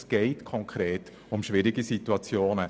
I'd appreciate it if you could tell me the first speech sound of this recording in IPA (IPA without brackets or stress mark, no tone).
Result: s